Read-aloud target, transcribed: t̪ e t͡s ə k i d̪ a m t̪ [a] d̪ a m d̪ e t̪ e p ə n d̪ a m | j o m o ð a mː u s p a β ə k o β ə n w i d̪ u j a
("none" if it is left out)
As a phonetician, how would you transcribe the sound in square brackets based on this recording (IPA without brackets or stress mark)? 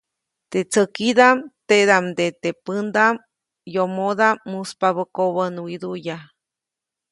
e